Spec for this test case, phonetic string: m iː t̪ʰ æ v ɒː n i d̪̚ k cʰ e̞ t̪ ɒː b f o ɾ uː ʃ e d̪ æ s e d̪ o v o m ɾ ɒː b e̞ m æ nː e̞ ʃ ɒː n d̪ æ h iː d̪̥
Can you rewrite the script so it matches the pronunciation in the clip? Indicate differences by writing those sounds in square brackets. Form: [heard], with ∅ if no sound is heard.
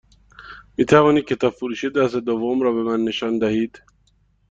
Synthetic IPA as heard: m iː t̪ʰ æ v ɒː n i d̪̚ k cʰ e̞ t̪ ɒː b f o ɾ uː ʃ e d̪ æ s e d̪ o v o m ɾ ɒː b e̞ m æ nː e̞ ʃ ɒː n d̪ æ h iː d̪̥